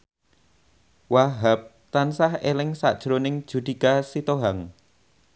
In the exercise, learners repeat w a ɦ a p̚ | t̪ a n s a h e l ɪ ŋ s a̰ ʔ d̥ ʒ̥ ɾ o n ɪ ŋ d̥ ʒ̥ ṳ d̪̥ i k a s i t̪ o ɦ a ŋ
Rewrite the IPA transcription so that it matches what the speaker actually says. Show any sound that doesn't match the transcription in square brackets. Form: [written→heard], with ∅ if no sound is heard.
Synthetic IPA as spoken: w a ɦ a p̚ | t̪ a n s a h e l ɪ ŋ s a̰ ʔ d̥ ʒ̥ ɾ o n ɪ ŋ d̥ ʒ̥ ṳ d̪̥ i k a s i t̪ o ɦ a ŋ